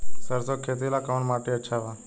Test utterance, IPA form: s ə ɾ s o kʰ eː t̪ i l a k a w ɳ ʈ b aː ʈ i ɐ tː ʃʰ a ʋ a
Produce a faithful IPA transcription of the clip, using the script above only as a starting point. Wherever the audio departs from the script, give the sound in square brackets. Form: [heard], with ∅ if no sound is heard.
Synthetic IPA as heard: s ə ɾ s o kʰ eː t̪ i l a k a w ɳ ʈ [m] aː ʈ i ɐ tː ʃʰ a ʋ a